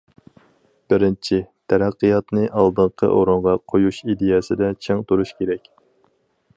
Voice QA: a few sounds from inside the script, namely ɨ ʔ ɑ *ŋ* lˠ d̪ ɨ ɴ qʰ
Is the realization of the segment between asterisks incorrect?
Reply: yes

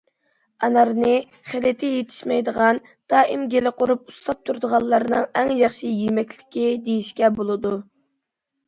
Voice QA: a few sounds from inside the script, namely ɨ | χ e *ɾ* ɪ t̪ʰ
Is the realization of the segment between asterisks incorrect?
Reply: yes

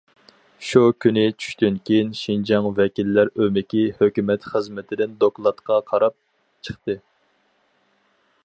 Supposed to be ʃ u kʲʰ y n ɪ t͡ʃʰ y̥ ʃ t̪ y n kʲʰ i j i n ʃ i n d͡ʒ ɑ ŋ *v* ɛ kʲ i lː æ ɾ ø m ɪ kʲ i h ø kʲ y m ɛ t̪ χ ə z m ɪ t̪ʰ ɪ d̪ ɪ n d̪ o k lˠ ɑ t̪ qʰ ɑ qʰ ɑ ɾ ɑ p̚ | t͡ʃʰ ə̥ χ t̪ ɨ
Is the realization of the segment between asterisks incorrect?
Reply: no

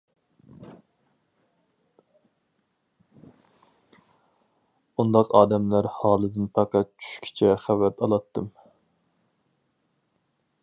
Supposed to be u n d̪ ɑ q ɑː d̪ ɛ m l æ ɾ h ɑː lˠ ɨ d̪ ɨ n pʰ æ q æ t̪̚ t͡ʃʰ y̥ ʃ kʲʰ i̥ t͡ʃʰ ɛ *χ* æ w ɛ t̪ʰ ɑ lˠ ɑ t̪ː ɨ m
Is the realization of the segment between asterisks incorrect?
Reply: no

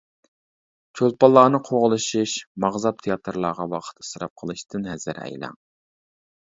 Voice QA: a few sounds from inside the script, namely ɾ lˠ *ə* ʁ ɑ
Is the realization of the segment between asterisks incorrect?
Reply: yes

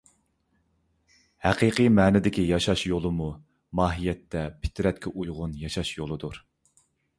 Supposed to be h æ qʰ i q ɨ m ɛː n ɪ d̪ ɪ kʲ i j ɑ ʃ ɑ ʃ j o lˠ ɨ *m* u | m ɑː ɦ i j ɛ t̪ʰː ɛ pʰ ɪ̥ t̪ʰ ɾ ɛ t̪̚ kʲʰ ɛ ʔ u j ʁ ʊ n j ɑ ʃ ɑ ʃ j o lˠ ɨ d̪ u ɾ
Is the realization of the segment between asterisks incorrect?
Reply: no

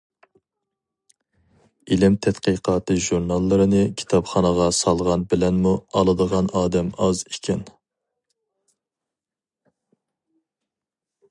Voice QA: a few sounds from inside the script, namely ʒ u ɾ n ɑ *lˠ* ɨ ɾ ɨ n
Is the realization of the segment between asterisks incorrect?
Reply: yes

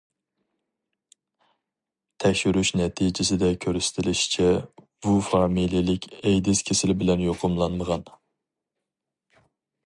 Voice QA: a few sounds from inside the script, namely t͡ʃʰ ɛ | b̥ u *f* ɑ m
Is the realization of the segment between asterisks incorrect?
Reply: no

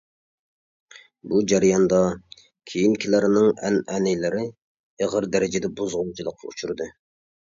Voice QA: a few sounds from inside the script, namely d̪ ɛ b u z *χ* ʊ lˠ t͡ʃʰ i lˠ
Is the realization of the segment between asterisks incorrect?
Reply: yes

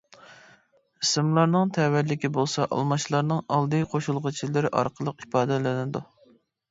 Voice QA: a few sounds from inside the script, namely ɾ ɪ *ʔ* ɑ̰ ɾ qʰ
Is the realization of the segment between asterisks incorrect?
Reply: no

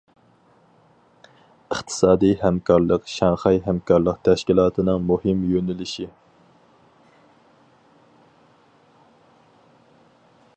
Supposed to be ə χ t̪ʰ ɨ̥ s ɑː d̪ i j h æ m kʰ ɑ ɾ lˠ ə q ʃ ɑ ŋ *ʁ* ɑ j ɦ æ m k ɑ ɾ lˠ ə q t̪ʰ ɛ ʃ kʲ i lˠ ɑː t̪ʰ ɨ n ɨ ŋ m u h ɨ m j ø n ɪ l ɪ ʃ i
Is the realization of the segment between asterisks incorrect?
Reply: yes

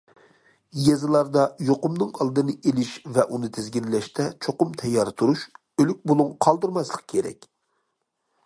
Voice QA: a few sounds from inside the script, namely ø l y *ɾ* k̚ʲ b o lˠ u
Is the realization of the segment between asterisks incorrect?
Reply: yes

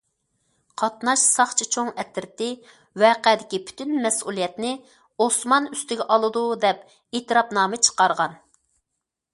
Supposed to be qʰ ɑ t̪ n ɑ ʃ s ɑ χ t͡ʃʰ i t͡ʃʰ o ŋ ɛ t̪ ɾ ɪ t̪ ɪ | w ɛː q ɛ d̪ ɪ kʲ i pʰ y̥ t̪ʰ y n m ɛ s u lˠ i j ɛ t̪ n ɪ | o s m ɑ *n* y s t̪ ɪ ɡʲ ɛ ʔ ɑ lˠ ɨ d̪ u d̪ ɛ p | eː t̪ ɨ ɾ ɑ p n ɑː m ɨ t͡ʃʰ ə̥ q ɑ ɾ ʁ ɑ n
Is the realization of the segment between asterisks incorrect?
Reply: no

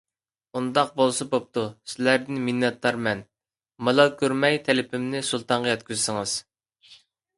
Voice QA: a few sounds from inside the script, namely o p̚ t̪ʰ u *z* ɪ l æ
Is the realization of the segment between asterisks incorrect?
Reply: yes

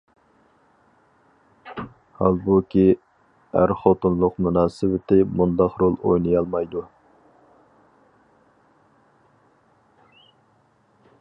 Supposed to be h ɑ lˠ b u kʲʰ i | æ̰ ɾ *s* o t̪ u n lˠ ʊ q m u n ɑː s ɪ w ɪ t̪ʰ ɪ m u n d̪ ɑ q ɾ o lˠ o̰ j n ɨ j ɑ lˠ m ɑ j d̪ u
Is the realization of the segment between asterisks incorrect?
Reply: yes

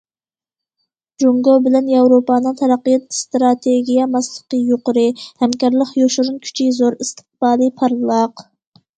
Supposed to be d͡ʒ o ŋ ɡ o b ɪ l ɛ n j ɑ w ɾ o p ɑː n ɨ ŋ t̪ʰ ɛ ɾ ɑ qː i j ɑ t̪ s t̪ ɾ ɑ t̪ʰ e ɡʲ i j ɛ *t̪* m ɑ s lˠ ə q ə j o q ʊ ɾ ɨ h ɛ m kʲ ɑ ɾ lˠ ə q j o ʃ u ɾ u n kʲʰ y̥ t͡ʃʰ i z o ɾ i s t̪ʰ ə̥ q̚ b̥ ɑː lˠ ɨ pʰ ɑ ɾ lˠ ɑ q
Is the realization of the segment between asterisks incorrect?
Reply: yes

